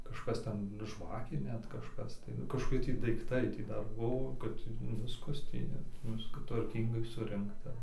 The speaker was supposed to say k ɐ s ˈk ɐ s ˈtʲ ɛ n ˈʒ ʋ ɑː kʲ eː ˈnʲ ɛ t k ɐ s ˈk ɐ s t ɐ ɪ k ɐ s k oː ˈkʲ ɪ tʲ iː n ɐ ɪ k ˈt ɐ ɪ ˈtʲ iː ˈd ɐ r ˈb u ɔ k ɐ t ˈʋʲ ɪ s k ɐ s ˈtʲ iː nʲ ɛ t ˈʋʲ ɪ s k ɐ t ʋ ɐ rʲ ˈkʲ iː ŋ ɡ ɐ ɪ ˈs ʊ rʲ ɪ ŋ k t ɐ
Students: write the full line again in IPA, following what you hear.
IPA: k ɐ ʃ ˈk ɐ s ˈtʲ ɛ n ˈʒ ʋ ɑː kʲ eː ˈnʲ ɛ t k ɐ ʃ ˈk ɐ s t ɐ ɪ k ɐ ʃ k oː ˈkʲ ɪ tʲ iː d ɐ ɪ k ˈt ɐ ɪ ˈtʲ iː ˈd ɐ r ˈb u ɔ k ɐ t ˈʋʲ ɪ s k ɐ s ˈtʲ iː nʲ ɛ t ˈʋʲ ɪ s k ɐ t ʋ ɐ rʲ ˈkʲ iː ŋ ɡ ɐ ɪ ˈs ʊ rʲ ɪ ŋ k t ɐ

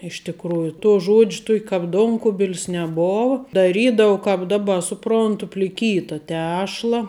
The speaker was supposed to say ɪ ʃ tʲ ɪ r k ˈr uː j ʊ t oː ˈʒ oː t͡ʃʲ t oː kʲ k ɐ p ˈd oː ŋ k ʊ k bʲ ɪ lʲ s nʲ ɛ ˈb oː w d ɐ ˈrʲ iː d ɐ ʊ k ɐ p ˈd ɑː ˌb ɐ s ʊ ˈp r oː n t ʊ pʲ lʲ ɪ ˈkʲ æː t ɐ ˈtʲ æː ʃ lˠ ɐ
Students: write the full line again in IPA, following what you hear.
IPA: ɪ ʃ tʲ ɪ k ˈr uː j ʊ t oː ˈʒ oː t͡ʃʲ t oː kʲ k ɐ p ˈd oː ŋ k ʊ bʲ ɪ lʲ s nʲ ɛ ˈb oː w d ɐ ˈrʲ iː d ɐ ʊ k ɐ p ˈd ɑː ˌb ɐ s ʊ ˈp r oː n t ʊ pʲ lʲ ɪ ˈkʲ iː t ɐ ˈtʲ æː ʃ lˠ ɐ

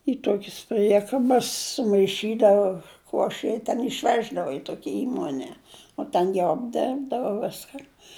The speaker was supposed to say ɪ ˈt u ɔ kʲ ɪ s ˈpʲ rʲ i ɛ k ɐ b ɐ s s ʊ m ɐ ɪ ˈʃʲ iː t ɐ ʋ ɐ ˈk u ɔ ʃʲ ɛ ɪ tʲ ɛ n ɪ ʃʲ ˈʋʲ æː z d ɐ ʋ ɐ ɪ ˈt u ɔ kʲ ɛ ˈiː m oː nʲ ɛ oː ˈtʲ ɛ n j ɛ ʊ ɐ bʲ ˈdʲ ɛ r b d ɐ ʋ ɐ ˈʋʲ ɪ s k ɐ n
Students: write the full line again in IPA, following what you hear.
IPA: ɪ ˈt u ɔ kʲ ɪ s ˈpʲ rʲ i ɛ k ɐ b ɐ s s ʊ m ɐ ɪ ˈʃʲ iː d ɐ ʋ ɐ ˈk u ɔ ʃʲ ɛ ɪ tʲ ɛ n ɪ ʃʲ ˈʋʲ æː ʒ d ɐ ʋ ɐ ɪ ˈt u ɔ kʲ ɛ ˈiː m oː nʲ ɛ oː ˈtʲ ɛ n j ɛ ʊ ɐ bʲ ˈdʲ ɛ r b d ɐ ʋ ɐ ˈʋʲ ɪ s k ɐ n

